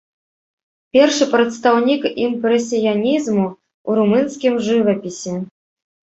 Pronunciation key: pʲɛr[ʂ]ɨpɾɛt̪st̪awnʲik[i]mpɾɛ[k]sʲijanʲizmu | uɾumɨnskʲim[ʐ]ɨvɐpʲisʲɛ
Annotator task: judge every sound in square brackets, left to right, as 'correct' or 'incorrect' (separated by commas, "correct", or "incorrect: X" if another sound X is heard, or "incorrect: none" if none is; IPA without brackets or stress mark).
correct, correct, incorrect: none, correct